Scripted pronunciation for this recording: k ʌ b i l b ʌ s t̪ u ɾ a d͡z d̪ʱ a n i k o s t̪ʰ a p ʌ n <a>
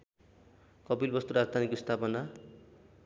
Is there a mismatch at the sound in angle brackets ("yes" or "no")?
no